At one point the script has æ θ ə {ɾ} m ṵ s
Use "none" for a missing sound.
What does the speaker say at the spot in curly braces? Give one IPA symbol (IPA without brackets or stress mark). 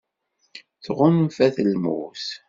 l